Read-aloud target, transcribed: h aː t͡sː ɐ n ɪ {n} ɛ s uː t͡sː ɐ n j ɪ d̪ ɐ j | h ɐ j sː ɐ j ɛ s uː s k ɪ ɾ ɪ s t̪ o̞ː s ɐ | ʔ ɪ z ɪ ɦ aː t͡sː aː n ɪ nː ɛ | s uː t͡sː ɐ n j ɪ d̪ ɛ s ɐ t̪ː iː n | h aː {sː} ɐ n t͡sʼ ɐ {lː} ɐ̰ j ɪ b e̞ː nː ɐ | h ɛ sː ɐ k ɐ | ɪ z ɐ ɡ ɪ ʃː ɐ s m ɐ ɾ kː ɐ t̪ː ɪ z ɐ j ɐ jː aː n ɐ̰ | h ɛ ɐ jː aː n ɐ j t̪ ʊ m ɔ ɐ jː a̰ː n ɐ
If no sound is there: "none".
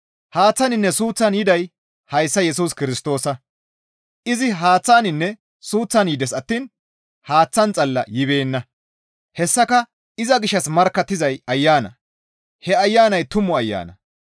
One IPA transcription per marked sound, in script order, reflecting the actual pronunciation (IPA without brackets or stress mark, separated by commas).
nː, t͡sː, lː